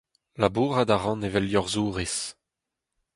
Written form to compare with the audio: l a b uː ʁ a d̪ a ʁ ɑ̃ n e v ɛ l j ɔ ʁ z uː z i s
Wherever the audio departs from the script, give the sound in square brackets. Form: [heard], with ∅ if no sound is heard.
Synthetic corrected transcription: l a b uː ʁ a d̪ a ʁ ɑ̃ n e v ɛ l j ɔ ʁ z uː [ʁ] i s